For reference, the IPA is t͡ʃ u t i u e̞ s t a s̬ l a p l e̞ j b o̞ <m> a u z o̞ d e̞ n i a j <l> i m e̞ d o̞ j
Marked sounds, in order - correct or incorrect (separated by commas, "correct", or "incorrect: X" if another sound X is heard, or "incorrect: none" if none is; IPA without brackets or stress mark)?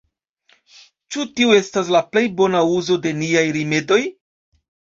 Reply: incorrect: n, incorrect: ɾ